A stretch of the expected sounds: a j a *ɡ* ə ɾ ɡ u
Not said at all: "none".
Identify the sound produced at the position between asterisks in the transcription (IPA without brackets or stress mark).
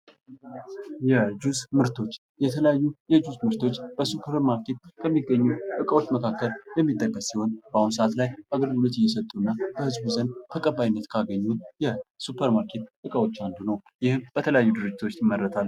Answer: ɡ